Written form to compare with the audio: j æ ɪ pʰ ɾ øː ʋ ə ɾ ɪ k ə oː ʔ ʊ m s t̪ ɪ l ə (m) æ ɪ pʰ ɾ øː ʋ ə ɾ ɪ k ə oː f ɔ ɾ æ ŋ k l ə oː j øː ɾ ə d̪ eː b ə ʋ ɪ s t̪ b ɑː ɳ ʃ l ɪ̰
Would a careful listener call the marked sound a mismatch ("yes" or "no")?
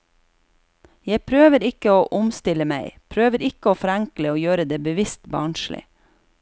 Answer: no